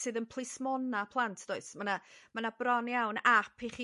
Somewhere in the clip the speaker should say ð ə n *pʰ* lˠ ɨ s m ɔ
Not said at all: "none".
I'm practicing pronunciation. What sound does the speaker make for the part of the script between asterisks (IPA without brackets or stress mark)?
pʰ